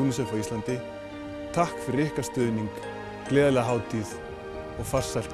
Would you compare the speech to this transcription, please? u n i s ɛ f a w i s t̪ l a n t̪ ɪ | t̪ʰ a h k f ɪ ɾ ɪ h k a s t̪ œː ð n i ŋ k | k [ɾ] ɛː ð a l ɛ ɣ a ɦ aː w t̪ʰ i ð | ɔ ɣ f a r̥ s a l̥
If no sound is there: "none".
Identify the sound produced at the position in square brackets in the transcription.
l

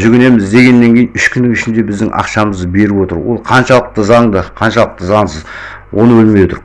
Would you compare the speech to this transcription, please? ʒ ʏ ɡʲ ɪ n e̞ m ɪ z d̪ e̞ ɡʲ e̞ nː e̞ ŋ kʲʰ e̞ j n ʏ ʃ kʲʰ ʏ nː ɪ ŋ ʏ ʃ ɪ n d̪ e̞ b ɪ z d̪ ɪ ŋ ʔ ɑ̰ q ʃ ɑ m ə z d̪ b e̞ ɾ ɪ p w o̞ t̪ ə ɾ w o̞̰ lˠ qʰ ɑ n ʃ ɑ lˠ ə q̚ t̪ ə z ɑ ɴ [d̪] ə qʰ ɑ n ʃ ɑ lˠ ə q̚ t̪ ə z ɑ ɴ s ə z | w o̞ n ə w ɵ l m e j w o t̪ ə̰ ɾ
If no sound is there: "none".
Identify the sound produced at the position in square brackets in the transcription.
d̪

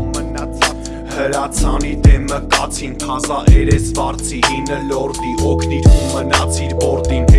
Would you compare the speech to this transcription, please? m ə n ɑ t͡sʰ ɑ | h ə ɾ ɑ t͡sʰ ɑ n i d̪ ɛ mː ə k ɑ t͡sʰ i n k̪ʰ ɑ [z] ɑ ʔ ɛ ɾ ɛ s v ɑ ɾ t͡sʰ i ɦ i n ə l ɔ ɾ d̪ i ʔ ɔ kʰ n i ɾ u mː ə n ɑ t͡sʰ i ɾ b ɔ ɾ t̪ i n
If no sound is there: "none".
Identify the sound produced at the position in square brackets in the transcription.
z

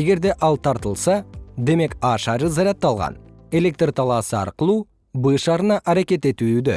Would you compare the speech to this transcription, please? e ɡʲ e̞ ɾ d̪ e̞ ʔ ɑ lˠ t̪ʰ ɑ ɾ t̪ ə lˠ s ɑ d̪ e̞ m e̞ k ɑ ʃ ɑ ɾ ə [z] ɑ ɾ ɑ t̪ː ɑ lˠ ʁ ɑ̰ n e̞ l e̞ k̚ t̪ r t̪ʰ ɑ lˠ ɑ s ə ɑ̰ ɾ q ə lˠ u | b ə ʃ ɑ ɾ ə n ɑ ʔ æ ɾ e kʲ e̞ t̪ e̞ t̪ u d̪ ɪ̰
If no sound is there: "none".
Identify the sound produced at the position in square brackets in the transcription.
z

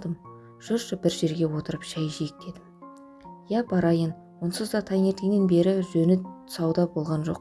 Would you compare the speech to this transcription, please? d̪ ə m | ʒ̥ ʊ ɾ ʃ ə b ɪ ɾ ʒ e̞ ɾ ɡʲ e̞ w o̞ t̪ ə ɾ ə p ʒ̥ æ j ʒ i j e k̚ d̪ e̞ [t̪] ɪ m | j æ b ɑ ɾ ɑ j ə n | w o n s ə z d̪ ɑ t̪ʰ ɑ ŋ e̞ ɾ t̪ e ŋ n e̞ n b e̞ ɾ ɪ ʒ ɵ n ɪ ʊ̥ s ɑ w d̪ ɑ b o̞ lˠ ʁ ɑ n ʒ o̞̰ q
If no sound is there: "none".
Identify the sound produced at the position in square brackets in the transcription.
d̪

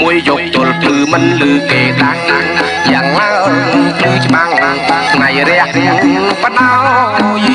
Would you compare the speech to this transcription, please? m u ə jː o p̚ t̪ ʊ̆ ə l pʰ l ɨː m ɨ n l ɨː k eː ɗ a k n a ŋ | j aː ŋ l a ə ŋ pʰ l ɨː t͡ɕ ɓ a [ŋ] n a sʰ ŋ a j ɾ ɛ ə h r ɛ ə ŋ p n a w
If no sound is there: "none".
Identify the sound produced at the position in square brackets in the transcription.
ŋ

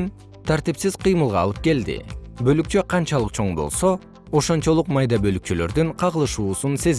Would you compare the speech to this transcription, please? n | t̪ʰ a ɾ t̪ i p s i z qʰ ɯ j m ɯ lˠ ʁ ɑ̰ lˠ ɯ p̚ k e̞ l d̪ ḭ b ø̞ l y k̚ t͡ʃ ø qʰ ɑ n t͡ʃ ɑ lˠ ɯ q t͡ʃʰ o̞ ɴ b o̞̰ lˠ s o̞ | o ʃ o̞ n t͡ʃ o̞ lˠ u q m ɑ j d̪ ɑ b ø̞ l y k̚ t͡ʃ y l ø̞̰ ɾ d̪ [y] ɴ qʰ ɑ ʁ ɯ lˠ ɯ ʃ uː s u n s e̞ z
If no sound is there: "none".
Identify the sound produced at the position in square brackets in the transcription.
y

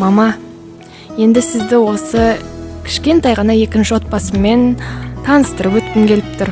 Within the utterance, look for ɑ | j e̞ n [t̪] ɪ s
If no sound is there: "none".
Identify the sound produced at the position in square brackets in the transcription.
d̪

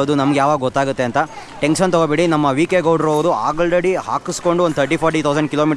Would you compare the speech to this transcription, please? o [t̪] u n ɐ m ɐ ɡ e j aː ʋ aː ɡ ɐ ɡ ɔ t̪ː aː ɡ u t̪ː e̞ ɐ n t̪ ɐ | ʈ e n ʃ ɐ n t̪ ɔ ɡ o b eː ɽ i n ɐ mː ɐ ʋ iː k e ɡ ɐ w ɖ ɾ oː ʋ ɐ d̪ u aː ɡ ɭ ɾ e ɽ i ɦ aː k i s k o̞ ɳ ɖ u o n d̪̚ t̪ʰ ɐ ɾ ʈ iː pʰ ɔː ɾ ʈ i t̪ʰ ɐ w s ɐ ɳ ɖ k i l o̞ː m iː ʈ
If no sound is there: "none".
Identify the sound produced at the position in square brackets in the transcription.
d̪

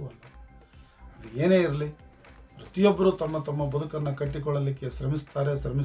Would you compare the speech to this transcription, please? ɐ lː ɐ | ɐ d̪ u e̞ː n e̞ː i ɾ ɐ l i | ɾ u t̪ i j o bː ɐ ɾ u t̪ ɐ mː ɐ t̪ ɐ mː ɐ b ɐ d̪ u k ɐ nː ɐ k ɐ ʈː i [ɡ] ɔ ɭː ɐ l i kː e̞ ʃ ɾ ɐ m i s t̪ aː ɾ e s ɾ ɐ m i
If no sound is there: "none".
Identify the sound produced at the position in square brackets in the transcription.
k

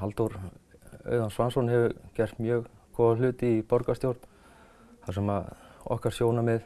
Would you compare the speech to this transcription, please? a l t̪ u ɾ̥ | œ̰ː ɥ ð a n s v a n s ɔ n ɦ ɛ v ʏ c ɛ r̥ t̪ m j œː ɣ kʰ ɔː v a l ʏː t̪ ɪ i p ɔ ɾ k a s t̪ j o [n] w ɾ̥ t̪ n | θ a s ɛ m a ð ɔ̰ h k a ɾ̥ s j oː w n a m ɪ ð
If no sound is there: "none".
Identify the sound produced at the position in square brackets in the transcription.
none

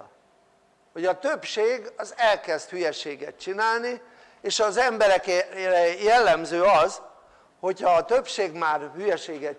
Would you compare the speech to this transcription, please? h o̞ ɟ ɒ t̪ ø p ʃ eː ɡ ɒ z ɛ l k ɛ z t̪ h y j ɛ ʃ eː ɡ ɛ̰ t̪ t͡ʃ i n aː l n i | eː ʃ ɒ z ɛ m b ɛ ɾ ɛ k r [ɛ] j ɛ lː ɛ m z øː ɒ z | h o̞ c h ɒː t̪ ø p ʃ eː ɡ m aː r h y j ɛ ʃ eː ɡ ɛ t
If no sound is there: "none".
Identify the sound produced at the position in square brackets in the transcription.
ɛ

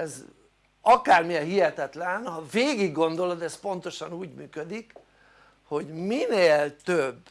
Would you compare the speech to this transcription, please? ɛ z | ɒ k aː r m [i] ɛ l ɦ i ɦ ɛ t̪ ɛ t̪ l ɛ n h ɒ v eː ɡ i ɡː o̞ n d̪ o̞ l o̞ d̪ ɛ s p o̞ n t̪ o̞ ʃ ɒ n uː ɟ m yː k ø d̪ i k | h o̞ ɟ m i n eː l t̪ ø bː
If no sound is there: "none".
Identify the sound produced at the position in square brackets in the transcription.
i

